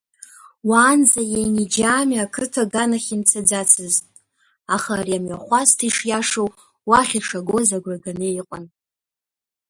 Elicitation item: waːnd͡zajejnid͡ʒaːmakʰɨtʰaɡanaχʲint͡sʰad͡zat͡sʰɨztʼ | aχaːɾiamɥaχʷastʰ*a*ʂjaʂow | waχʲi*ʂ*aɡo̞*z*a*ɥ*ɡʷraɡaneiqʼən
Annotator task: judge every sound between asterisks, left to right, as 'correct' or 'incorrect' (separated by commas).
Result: incorrect, correct, correct, incorrect